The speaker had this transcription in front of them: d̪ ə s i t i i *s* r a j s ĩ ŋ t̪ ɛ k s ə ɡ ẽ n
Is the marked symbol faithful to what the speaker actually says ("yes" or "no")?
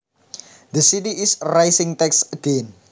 yes